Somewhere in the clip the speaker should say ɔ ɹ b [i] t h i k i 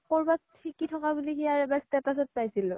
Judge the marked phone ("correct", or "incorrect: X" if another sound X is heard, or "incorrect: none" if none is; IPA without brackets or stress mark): incorrect: a